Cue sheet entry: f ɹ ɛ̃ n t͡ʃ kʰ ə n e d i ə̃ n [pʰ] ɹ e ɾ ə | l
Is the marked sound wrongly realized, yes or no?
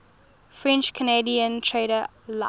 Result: yes